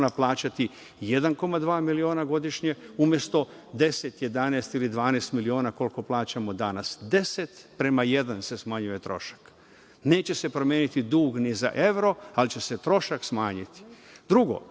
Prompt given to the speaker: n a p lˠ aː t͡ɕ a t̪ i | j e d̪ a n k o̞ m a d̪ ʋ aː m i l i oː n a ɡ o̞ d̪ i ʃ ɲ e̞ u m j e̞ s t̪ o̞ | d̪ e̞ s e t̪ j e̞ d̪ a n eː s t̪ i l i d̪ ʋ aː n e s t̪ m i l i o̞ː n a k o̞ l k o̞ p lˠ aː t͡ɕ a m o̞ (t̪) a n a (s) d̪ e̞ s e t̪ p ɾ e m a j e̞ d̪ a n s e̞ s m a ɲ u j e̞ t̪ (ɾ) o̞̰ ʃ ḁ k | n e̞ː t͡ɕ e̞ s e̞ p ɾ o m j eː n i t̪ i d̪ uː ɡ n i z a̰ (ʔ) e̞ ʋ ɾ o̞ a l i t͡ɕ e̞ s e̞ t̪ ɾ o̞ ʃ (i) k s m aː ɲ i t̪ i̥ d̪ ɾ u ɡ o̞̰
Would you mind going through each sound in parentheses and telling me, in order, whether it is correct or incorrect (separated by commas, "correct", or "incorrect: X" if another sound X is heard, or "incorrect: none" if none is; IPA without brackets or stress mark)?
incorrect: d̪, correct, correct, correct, incorrect: a